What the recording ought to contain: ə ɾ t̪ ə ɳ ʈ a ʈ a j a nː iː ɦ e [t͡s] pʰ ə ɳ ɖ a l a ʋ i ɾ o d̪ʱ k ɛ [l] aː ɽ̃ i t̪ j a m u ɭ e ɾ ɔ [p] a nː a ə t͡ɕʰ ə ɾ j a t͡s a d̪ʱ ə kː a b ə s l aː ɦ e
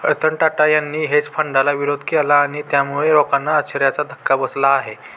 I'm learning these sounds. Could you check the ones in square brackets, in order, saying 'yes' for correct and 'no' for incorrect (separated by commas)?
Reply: yes, yes, no